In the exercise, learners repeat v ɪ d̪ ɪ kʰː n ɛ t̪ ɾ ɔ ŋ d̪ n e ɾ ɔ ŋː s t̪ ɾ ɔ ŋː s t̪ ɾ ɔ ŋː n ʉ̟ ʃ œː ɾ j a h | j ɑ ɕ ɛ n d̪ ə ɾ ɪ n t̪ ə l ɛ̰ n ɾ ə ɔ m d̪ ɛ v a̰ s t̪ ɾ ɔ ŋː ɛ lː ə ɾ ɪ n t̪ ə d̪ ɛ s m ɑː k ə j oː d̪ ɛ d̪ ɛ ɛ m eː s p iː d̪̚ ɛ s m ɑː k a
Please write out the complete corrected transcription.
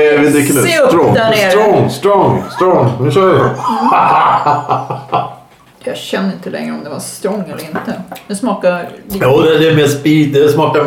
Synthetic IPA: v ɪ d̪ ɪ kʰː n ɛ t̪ ɾ ɔ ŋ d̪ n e ɾ ɔ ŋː s t̪ ɾ ɔ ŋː s t̪ ɾ ɔ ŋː n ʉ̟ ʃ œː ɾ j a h | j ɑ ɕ ɛ n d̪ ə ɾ ɪ n t̪ ə l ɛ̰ ŋ ɾ ə ɔ m d̪ ɛ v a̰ s t̪ ɾ ɔ ŋː ɛ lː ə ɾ ɪ n t̪ ə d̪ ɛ s m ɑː k a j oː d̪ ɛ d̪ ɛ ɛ m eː s p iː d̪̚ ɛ s m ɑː k a